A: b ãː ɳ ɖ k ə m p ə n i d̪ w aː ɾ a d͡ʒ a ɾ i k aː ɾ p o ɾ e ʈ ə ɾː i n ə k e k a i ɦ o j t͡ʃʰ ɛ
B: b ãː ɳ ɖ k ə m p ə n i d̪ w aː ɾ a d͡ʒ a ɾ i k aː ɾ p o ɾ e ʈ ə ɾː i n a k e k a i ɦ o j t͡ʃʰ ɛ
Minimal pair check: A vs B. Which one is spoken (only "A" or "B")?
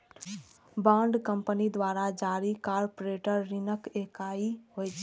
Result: A